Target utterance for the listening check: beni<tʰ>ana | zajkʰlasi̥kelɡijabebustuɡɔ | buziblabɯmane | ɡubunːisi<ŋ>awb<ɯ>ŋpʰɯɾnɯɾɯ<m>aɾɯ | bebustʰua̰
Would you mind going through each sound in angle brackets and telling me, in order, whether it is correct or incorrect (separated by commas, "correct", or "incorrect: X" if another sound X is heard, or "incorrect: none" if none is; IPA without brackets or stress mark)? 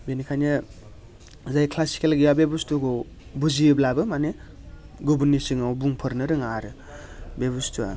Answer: incorrect: kʰ, correct, incorrect: u, incorrect: ŋ